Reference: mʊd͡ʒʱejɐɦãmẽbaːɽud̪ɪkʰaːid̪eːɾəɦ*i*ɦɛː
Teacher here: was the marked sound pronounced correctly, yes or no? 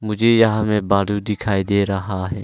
no